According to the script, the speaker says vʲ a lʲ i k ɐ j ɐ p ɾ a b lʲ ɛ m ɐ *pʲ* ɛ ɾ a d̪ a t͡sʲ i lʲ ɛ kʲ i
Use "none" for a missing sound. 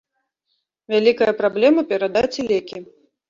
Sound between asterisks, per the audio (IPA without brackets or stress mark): pʲ